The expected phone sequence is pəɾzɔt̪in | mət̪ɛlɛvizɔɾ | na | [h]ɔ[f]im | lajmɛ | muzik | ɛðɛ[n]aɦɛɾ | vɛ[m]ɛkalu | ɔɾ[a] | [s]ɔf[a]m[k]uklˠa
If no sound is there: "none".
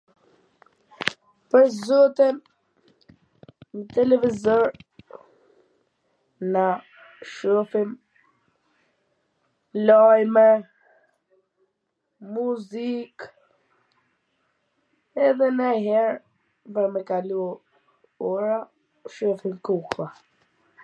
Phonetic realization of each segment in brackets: ʃ, f, n, m, a, ʃ, i, k

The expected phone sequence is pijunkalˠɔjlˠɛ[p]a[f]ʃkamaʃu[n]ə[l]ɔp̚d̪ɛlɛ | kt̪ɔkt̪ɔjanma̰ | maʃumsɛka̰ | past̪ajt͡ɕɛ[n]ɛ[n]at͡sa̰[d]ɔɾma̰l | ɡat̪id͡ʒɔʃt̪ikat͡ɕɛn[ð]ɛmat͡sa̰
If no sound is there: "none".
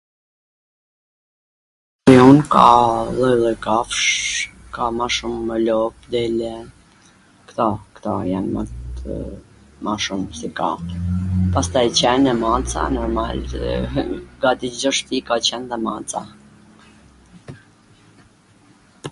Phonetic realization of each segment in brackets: k, f, m, l, n, m, n, ð

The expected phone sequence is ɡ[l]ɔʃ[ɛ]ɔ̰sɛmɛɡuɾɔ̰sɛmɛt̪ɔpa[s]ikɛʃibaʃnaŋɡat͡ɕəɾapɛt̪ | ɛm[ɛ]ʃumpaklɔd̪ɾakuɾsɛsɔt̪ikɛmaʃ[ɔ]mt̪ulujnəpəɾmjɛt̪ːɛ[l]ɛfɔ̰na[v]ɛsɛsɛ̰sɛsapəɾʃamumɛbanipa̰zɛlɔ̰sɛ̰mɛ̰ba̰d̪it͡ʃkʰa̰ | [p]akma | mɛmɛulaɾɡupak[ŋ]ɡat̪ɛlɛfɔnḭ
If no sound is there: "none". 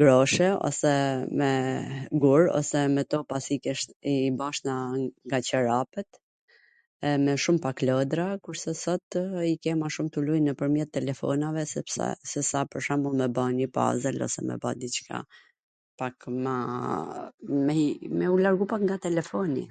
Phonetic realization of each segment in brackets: ɾ, ɛ, s, ɛ, u, l, v, p, ŋ

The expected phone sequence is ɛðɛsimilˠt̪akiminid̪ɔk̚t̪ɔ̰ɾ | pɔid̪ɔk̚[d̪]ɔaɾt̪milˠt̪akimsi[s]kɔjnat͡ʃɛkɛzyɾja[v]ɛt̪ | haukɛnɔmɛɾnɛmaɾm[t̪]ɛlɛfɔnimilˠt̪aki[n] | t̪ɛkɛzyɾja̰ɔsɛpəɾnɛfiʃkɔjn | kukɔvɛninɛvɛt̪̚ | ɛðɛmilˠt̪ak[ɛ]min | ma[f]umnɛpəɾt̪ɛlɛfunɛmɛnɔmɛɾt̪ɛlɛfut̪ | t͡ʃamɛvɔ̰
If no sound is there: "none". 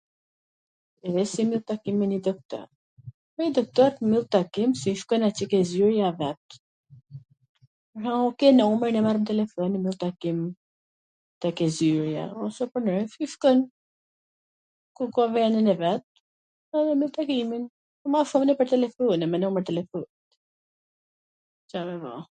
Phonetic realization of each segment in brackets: t̪, ʃ, v, t̪, m, i, ʃ

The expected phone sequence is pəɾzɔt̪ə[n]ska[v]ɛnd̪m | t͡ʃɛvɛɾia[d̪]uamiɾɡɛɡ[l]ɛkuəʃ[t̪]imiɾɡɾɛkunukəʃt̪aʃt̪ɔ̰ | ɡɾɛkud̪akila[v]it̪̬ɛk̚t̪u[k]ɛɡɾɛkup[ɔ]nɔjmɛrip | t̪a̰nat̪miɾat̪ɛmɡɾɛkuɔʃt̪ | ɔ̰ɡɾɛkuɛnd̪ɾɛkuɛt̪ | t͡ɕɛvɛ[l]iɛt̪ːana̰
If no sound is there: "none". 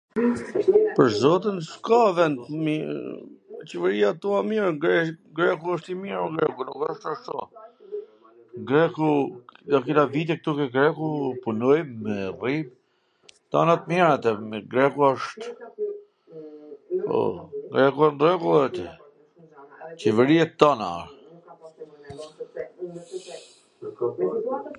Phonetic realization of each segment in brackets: n, v, t̪, ɾ, t̪, v, k, u, ɾ

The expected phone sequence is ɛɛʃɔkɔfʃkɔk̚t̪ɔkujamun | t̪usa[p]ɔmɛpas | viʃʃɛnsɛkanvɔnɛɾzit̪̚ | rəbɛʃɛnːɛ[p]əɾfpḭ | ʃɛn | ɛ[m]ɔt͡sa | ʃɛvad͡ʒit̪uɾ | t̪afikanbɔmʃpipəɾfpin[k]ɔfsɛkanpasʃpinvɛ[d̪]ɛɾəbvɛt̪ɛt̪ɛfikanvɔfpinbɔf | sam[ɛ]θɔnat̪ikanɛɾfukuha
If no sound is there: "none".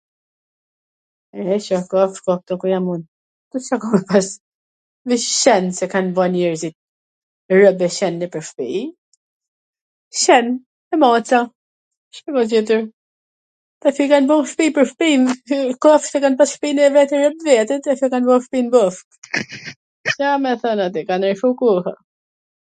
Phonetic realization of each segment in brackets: k, p, m, k, t̪, ɛ

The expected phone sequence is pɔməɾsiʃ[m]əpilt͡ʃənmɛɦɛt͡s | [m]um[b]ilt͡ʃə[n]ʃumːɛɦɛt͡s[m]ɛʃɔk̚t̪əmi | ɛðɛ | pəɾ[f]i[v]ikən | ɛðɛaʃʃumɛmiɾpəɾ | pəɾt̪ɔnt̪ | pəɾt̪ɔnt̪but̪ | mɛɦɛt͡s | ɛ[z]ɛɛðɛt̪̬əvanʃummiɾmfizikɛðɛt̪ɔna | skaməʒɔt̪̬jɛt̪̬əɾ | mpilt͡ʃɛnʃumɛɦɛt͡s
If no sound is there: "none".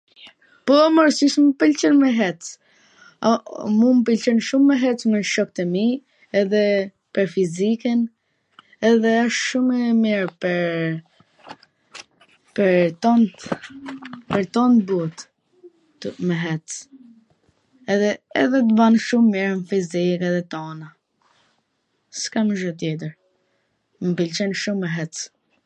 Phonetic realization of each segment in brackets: m, m, p, n, m, f, z, ð

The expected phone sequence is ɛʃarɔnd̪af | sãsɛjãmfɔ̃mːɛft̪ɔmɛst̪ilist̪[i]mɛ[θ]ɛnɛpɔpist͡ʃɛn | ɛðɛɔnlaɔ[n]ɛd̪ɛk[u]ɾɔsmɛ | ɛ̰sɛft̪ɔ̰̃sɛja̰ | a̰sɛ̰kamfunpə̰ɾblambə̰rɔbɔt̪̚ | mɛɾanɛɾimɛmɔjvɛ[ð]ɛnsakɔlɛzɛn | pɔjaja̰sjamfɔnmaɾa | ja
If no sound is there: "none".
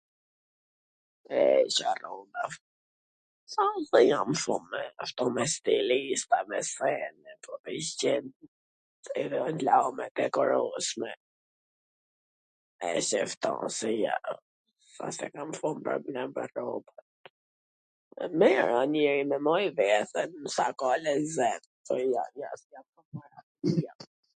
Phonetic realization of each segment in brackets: a, s, m, ɔ, θ

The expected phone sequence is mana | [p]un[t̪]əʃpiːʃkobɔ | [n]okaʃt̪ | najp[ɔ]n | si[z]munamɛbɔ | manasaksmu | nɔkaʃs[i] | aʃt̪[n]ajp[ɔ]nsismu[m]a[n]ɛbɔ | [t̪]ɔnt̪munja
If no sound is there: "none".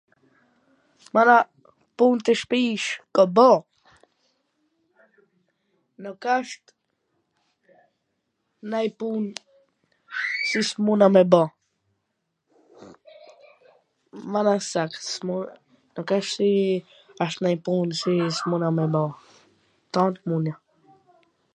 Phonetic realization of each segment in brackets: p, t̪, n, u, s, i, n, u, n, m, t̪

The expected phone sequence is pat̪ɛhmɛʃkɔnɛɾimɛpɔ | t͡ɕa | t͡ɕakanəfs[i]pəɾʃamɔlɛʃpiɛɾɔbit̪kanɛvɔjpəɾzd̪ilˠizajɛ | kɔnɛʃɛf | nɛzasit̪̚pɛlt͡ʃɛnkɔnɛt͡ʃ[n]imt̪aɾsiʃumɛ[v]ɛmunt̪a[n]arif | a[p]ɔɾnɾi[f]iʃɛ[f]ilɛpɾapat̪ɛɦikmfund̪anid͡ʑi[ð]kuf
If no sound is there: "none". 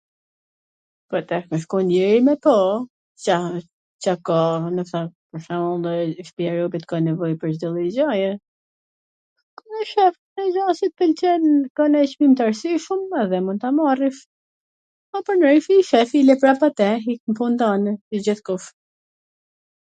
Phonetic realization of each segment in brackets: a, m, ð, m, p, f, f, θ

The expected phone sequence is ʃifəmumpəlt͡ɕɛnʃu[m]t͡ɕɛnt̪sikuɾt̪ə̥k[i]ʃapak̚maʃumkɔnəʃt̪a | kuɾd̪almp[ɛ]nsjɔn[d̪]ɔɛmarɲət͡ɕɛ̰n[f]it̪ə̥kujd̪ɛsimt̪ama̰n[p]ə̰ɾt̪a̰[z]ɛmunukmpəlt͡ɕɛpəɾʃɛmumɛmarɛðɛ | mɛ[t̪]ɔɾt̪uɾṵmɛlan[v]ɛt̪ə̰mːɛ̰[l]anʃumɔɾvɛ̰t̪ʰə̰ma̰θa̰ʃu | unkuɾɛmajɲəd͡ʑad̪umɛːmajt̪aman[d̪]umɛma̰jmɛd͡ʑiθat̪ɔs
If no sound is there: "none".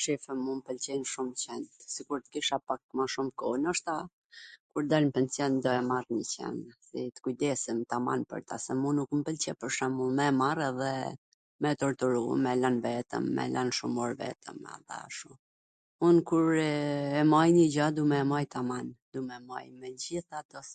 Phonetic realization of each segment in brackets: m, i, ɛ, d̪, s, p, s, t̪, v, l, d̪

